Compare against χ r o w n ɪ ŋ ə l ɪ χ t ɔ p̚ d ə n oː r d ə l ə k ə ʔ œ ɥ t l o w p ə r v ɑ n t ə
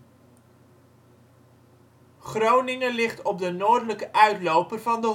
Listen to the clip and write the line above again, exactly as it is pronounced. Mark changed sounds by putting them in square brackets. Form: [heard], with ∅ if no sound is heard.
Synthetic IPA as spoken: χ r o w n ɪ ŋ ə l ɪ χ t ɔ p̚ d ə n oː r d ə l ə k ə ʔ œ ɥ t l o w p ə r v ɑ n [d] ə